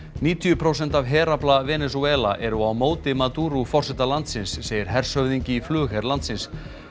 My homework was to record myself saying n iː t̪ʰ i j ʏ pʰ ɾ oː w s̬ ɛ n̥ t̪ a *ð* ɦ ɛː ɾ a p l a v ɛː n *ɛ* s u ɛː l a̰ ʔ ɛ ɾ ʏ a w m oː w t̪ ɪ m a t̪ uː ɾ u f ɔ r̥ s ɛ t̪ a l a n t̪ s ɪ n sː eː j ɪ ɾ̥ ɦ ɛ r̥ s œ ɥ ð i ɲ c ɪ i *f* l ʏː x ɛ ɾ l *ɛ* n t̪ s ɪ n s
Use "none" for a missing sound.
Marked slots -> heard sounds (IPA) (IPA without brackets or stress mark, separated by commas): v, ɛ, f, a